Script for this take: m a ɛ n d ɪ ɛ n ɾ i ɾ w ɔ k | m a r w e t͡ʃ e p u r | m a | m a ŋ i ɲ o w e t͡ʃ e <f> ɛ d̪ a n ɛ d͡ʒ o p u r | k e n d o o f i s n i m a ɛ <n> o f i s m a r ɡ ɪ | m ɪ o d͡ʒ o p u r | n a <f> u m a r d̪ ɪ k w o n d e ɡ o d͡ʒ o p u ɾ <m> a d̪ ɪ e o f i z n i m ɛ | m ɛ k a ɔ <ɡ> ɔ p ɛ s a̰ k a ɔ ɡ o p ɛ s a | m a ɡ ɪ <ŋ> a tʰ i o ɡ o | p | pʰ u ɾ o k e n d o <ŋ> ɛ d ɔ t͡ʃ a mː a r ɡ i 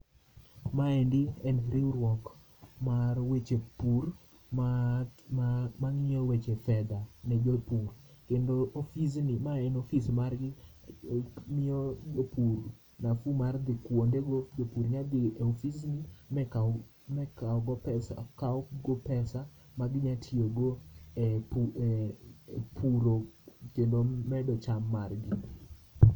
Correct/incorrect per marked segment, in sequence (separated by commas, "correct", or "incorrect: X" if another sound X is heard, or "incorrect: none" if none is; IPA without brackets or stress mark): correct, correct, correct, incorrect: ɲ, correct, incorrect: ɲ, incorrect: m